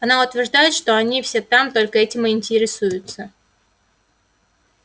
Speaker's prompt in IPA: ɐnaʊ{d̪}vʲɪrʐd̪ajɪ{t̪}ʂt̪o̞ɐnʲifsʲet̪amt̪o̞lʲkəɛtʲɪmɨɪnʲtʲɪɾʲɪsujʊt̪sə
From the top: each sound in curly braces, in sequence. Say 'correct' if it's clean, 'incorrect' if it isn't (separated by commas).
incorrect, correct